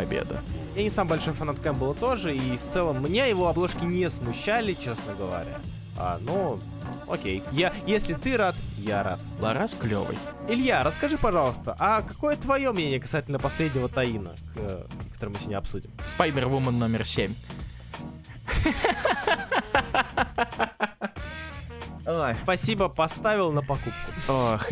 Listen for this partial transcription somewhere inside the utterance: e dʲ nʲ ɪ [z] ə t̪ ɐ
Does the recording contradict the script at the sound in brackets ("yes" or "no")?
yes